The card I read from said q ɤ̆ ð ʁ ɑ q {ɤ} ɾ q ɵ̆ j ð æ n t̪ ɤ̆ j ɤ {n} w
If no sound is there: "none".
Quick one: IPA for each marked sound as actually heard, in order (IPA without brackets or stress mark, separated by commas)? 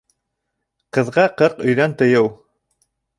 ɤ, none